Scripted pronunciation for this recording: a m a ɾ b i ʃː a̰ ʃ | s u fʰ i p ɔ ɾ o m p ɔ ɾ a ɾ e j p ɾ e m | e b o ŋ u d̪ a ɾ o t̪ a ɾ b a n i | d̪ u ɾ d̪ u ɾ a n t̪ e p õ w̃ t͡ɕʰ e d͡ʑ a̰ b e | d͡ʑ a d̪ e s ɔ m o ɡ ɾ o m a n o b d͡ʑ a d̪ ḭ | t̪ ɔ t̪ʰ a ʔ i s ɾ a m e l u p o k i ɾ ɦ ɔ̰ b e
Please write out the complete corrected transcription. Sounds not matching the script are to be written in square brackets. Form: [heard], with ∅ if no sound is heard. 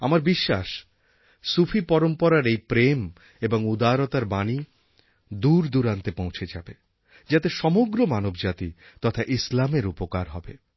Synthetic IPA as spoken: a m a ɾ b i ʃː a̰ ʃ | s u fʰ i p ɔ ɾ o m p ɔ ɾ a ɾ e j p ɾ e m | e b o ŋ u d̪ a ɾ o t̪ a ɾ b a n i | d̪ u ɾ d̪ u ɾ a n t̪ e p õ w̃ t͡ɕʰ e d͡ʑ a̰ b e | d͡ʑ a [t̪] e [ʃ] ɔ m o ɡ ɾ o m a n o b d͡ʑ a [t̪] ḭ | t̪ ɔ t̪ʰ a ʔ i s [l] a m e [ɾ] u p o k [a] ɾ ɦ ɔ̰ b e

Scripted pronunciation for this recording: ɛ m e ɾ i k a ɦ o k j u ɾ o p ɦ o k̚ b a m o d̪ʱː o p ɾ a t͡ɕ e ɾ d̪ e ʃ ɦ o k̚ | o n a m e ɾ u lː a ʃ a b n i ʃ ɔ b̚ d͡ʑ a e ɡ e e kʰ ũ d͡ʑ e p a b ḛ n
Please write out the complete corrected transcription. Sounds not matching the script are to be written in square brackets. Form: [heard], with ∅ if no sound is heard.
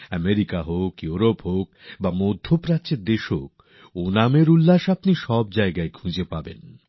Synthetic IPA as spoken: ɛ m e ɾ i k a ɦ o k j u ɾ o p ɦ o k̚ b a m o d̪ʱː o p ɾ a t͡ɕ e ɾ d̪ e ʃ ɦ o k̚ | o n a m e ɾ u lː a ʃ a [p] n i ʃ ɔ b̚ d͡ʑ a e ɡ [a] e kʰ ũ d͡ʑ e p a b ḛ n

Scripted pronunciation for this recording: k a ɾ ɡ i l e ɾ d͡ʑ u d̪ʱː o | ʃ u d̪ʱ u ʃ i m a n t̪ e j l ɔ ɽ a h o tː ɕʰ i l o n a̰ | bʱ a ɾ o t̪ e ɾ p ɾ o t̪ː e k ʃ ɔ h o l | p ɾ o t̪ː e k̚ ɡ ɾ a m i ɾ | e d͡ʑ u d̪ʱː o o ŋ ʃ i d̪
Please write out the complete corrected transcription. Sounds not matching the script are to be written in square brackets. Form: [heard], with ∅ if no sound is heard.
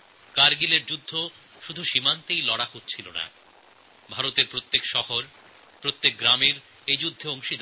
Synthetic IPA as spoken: k a ɾ ɡ i l e ɾ d͡ʑ u d̪ʱː o | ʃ u d̪ʱ u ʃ i m a n t̪ e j l ɔ ɽ a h o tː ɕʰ i l o n a̰ | bʱ a ɾ o t̪ e ɾ p ɾ o t̪ː e k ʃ ɔ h o [ɾ] | p ɾ o t̪ː e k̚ ɡ ɾ a m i ɾ | e d͡ʑ u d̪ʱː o o ŋ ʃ i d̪

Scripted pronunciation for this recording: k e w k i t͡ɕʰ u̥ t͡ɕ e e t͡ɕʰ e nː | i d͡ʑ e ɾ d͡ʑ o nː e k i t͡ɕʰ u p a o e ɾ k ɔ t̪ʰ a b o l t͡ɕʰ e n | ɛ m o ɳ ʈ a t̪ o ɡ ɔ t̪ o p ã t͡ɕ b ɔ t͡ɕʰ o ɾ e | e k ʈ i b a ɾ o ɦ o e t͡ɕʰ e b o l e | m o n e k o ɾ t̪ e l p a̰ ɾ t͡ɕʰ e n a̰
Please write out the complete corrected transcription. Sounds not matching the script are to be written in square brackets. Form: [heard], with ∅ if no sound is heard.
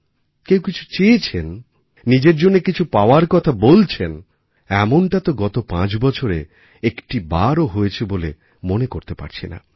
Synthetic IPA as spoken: k e w k i t͡ɕʰ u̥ t͡ɕ e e t͡ɕʰ e nː | i d͡ʑ e ɾ d͡ʑ o nː e k i t͡ɕʰ u p a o [a] ɾ k ɔ t̪ʰ a b o l t͡ɕʰ e n | ɛ m o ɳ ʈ a t̪ o ɡ ɔ t̪ o p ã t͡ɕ b ɔ t͡ɕʰ o ɾ e | e k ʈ i b a ɾ o ɦ o e t͡ɕʰ e b o l e | m o n e k o ɾ t̪ e [∅] p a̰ ɾ t͡ɕʰ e n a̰

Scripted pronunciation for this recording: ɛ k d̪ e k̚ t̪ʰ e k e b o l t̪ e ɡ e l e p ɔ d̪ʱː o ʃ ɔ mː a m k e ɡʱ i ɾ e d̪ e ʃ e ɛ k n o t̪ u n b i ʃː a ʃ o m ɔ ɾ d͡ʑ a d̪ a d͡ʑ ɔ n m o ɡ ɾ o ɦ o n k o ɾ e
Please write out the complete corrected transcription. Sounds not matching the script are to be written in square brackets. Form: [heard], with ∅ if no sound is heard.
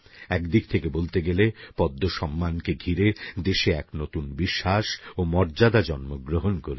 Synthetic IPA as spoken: ɛ k d̪ [i] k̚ t̪ʰ e k e b o l t̪ e ɡ e l e p ɔ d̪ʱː o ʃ ɔ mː a [n] k e ɡʱ i ɾ e d̪ e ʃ e ɛ k n o t̪ u n b i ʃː a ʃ o m ɔ ɾ d͡ʑ a d̪ a d͡ʑ ɔ n m o ɡ ɾ o ɦ o n k o ɾ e

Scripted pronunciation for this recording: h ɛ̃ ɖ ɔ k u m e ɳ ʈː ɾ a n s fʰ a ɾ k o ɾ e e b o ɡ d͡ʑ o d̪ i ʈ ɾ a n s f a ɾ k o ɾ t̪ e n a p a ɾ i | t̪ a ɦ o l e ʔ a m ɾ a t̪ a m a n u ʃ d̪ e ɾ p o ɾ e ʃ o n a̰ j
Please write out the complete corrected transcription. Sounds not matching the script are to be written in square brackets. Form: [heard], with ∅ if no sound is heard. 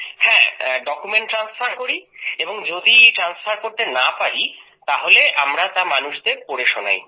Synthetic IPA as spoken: h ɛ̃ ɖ ɔ k u m e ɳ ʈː ɾ a n s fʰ a ɾ k o ɾ [i] e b o [ŋ] d͡ʑ o d̪ i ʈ ɾ a n s f a ɾ k o ɾ t̪ e n a p a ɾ i | t̪ a ɦ o l e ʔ a m ɾ a t̪ a m a n u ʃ d̪ e ɾ p o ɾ e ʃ o n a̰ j

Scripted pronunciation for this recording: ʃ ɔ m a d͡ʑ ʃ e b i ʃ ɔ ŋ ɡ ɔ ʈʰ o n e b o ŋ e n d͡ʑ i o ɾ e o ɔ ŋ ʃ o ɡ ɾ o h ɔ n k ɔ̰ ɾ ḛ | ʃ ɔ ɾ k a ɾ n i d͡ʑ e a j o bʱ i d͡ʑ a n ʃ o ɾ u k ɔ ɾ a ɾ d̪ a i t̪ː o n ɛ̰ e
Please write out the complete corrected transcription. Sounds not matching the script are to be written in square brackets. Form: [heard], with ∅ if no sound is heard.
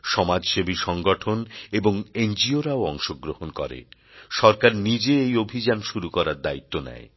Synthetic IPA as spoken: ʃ ɔ m a d͡ʑ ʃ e b i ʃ ɔ ŋ ɡ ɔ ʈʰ o n e b o ŋ e n d͡ʑ i o ɾ [a] o ɔ ŋ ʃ o ɡ ɾ o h [o] n k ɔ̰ ɾ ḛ | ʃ ɔ ɾ k a ɾ n i d͡ʑ e [e] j o bʱ i d͡ʑ a n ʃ [u] ɾ u k ɔ ɾ a ɾ d̪ a i t̪ː o n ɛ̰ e

